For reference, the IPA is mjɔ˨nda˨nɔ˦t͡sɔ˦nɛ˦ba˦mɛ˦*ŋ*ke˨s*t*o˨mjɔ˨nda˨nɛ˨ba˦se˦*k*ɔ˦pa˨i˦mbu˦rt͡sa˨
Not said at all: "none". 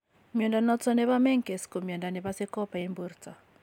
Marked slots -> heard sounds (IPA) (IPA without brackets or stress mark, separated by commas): ŋ, k, k